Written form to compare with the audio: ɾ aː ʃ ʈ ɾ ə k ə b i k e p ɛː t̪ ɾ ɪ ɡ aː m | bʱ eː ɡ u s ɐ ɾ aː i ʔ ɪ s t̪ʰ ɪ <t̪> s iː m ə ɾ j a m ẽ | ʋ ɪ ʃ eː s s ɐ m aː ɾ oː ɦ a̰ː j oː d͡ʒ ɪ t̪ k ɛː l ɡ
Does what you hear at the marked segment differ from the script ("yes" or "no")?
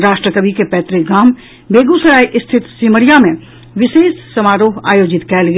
no